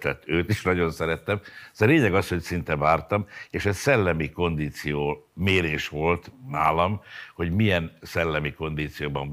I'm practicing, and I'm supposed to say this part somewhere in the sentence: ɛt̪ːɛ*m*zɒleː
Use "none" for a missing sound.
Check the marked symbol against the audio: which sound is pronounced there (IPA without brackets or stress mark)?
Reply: m